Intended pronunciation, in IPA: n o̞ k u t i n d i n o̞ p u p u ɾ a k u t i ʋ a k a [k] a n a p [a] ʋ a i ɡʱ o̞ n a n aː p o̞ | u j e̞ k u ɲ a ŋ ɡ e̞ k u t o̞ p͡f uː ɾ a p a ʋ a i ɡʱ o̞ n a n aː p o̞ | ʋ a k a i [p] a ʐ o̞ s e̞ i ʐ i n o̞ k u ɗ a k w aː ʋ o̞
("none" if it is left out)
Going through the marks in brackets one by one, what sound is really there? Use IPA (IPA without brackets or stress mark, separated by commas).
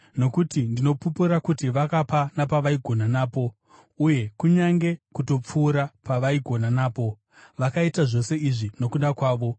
p, a, t